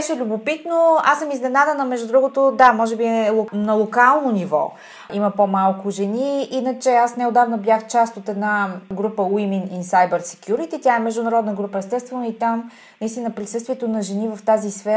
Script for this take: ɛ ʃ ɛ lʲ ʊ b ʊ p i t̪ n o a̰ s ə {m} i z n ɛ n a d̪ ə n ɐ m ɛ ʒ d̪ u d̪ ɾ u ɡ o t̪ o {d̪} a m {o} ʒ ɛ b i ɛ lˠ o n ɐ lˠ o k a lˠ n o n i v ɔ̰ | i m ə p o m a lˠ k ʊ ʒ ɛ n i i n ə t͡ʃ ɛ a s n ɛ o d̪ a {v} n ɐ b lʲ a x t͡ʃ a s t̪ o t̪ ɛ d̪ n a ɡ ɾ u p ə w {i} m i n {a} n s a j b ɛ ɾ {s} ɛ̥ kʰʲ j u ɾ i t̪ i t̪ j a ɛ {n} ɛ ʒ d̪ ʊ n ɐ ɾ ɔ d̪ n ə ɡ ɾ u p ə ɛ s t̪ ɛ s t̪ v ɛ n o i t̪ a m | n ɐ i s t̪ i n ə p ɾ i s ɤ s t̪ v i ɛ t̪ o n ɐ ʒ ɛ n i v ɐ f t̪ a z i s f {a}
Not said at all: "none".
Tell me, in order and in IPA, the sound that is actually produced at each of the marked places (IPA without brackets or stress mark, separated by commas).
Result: m, d̪, ɔ, v, i, i, s, m, ɛ